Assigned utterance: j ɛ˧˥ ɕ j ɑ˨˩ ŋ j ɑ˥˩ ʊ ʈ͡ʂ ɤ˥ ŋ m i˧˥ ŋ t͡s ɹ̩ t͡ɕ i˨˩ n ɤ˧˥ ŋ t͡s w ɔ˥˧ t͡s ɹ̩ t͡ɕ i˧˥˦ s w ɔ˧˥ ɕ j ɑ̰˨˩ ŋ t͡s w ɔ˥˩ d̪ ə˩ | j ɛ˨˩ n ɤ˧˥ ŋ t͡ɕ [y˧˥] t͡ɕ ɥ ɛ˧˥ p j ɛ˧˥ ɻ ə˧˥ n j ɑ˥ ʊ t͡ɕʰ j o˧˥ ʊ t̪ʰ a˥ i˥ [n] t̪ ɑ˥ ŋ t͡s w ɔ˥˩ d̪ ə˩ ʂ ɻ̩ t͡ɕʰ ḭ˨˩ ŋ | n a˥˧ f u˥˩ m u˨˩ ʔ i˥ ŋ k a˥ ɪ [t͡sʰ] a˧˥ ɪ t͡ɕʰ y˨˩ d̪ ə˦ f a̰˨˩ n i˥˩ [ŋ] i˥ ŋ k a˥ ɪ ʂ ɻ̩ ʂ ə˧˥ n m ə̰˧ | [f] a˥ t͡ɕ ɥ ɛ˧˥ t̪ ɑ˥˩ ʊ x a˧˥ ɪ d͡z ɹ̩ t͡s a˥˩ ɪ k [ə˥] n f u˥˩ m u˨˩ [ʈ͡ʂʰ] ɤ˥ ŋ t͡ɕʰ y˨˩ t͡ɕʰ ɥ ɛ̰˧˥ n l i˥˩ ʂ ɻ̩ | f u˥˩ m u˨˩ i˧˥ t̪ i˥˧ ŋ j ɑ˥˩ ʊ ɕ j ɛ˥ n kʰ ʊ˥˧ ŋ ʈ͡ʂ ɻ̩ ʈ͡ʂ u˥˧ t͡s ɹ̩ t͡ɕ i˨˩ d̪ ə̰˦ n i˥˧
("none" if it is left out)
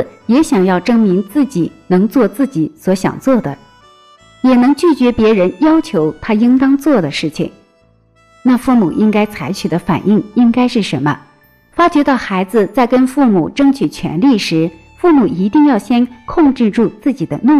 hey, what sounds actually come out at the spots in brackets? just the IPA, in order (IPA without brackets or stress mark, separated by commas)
y˥˩, ŋ, t͡sʰ, ŋ, f, ə˥, ʈ͡ʂ